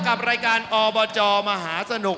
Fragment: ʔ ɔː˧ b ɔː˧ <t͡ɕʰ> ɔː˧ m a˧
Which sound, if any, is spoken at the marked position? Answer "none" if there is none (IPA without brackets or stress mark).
t͡ɕ